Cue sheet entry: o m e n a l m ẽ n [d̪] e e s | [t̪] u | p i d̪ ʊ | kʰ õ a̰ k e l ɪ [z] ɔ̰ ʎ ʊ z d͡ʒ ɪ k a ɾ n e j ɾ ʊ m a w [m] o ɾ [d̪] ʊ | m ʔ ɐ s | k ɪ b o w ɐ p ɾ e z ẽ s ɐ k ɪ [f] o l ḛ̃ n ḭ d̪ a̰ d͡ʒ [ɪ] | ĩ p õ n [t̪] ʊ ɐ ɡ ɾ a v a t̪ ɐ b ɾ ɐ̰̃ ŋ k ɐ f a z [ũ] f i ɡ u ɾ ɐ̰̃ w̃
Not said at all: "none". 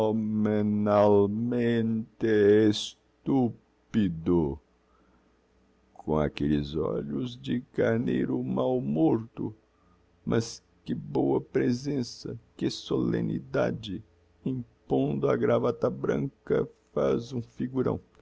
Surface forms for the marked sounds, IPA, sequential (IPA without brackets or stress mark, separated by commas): t̪, t̪, z, m, t̪, s, ɪ, d̪, ũ